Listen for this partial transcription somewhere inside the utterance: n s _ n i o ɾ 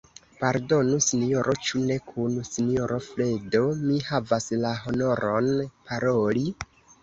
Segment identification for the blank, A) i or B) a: A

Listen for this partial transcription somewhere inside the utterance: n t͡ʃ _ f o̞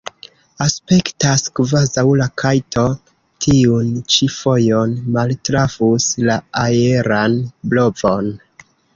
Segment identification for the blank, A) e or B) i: B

